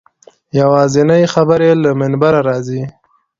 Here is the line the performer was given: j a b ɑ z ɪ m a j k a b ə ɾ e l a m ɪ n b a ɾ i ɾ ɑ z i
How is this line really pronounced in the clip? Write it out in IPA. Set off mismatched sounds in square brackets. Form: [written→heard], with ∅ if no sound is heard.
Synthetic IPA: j a [b→w] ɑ z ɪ [m→n] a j [k→x] a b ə ɾ e l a m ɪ n b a ɾ [i→a] ɾ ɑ z i